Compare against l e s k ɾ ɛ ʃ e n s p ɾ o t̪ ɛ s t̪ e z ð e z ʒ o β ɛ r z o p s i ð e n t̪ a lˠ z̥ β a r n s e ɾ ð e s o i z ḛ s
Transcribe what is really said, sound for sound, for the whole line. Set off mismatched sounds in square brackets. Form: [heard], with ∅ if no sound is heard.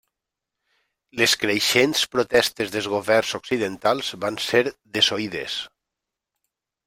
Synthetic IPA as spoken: l e s k ɾ [e] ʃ e n s p ɾ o t̪ ɛ s t̪ e z ð e z [ɣ] o β ɛ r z o [k] s i ð e n t̪ a lˠ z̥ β a [∅] n s e ɾ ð e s o i [ð] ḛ s